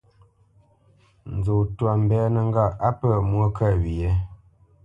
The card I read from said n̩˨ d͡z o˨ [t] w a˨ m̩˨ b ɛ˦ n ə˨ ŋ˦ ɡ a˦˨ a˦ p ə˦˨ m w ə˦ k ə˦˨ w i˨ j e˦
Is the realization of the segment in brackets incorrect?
no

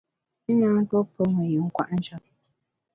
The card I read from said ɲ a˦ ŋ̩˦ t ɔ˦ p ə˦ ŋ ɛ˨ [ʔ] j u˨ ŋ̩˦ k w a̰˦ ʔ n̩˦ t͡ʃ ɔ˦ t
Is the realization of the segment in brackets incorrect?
yes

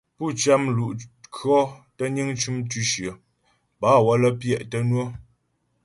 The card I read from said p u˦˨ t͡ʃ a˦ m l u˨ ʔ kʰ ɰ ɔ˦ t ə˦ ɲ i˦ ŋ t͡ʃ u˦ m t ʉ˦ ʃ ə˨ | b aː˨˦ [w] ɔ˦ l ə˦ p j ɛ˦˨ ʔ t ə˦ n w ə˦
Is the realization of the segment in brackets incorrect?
no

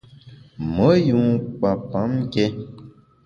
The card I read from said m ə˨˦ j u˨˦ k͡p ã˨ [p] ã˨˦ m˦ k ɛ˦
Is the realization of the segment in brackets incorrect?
no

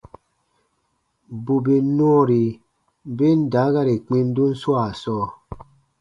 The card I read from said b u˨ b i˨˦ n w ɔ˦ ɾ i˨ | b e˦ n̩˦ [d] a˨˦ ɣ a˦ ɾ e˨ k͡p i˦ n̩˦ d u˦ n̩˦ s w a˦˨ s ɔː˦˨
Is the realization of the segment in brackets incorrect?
no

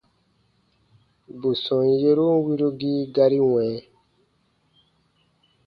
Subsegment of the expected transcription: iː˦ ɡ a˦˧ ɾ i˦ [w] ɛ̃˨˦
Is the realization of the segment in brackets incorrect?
no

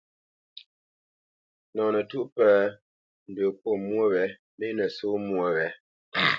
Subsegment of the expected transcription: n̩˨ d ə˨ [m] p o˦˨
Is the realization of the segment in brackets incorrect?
yes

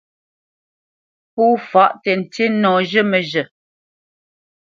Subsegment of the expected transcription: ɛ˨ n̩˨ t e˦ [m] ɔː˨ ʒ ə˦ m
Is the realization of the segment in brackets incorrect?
yes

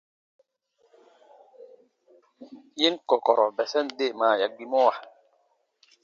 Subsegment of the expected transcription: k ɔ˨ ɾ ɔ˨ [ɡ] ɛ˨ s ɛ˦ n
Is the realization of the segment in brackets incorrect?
yes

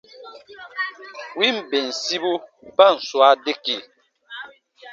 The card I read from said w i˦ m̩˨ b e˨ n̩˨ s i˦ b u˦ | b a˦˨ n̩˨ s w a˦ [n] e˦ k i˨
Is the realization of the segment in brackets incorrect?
yes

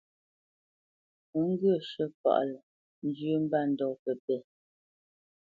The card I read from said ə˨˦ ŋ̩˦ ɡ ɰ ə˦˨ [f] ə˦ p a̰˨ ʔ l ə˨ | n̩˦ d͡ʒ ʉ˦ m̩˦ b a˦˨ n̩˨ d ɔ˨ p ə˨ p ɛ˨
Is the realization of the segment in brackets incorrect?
yes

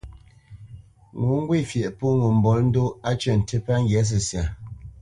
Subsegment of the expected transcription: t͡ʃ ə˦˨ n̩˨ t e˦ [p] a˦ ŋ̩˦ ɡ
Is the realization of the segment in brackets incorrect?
no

